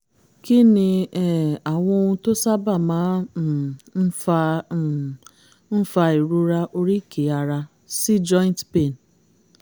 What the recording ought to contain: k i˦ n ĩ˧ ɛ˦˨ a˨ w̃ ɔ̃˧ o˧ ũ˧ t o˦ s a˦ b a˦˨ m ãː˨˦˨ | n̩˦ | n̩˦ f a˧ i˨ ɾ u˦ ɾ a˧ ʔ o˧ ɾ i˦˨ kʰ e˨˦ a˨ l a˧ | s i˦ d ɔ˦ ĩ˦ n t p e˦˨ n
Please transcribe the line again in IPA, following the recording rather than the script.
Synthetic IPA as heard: k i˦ n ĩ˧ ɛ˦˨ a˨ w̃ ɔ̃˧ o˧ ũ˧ t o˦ s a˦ b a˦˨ m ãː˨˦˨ | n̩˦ | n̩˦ f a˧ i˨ ɾ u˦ ɾ a˧ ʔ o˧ ɾ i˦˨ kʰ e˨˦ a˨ ɾ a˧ | s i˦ d͡ʒ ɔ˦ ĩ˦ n t p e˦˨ n